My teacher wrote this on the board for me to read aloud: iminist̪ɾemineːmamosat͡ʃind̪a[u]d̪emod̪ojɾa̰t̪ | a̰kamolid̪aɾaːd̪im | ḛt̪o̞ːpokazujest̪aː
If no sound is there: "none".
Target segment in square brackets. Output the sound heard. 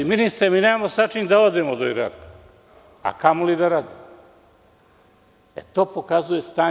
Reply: o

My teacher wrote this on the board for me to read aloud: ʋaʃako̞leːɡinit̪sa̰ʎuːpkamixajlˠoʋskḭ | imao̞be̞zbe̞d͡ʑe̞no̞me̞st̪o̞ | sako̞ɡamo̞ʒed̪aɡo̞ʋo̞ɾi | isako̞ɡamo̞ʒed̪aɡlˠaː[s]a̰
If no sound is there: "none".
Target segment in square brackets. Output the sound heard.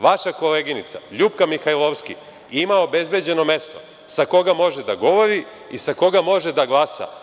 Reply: s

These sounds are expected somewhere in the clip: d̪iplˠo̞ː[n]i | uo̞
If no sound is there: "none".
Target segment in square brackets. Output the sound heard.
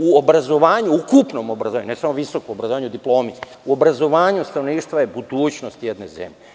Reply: m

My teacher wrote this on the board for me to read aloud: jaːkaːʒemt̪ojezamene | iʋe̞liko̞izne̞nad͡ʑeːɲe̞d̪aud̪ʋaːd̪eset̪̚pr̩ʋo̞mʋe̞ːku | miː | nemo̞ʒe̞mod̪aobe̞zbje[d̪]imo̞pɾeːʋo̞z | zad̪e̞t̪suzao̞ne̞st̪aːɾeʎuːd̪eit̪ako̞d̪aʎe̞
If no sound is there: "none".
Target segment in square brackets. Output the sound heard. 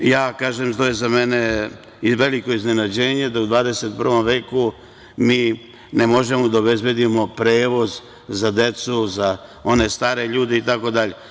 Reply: d̪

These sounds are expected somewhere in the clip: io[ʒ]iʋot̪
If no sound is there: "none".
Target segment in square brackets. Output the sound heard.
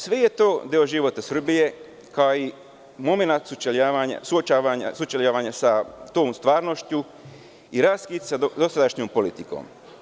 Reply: ʒ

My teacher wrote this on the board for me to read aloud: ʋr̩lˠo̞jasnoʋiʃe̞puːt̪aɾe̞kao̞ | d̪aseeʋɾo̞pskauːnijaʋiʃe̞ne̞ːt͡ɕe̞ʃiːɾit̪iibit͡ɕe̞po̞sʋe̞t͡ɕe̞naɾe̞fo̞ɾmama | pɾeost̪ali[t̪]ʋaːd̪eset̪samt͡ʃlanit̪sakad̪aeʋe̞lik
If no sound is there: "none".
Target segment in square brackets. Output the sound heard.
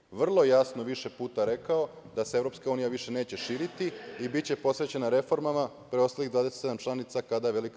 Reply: d̪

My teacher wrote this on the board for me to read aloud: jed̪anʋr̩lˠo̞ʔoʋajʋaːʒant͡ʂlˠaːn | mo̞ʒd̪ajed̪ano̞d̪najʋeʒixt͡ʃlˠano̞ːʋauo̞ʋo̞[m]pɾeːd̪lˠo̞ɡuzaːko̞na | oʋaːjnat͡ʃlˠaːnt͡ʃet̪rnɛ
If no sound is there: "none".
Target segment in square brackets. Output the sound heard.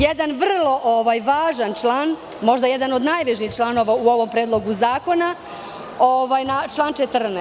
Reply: m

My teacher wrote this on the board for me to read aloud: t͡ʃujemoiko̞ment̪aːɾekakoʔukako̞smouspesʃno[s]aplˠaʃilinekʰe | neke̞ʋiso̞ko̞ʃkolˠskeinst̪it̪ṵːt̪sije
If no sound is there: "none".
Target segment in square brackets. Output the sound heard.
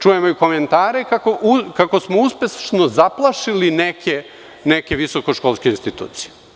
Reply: z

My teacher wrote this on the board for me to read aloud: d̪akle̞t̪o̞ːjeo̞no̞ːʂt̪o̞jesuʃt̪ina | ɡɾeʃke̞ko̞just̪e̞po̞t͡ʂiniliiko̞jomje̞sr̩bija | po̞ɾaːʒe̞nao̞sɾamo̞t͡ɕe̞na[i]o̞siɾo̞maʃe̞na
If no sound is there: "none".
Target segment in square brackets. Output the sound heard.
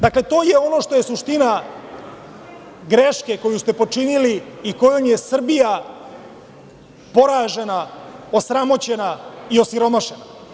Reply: i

